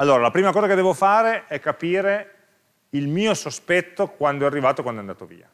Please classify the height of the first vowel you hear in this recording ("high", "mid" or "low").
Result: low